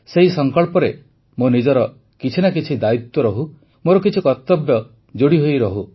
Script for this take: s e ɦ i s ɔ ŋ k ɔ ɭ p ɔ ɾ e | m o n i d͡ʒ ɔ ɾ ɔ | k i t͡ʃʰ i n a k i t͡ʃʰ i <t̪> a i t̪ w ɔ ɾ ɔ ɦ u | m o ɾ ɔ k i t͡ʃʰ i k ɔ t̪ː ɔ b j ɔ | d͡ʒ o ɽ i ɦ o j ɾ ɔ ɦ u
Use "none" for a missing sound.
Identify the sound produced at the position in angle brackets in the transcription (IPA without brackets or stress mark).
d̪